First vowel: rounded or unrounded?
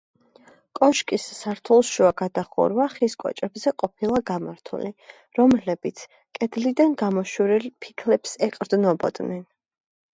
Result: rounded